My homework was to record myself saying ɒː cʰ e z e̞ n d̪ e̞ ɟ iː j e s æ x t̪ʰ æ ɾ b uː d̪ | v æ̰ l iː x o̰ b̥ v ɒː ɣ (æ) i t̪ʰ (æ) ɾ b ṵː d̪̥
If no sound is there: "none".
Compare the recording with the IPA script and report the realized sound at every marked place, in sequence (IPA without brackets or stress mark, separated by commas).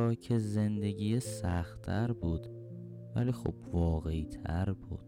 e, æ